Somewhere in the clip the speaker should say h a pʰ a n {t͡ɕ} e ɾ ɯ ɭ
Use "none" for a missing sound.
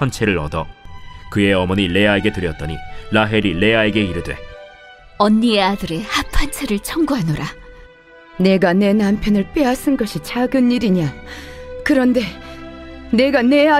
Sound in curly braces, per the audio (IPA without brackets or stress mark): t͡ɕʰ